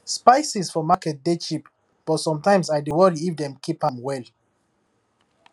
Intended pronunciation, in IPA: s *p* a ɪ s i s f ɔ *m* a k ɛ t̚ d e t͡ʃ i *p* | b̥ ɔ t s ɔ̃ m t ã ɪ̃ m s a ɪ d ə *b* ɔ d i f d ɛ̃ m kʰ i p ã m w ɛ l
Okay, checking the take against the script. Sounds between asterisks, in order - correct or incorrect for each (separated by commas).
correct, correct, correct, incorrect